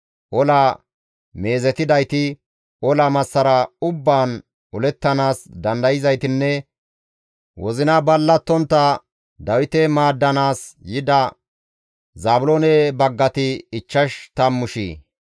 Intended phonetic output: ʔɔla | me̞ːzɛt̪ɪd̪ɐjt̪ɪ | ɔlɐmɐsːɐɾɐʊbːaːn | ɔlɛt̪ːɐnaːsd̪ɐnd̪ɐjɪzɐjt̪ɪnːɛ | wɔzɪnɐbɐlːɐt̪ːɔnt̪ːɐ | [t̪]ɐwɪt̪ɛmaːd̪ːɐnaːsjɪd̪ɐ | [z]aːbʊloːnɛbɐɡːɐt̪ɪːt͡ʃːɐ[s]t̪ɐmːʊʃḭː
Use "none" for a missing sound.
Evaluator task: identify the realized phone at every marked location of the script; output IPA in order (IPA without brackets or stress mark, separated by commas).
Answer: d̪, z, ʃ